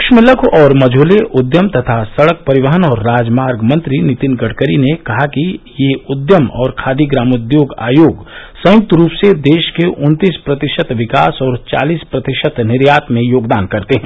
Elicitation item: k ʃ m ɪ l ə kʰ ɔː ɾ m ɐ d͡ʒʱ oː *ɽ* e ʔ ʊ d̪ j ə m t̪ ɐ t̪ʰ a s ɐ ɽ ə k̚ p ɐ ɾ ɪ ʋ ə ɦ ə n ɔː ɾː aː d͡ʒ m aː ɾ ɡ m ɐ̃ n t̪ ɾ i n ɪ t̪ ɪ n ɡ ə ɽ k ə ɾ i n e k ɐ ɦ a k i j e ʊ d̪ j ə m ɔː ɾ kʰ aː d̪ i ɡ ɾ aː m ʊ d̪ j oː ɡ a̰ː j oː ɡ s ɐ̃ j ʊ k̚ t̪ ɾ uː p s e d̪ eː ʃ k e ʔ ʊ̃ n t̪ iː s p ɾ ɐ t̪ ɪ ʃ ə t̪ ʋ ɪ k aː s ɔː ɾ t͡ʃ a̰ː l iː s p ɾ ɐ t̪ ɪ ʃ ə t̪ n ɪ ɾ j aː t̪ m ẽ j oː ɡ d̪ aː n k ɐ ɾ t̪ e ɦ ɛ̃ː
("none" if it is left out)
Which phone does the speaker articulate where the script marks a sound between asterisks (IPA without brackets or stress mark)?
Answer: l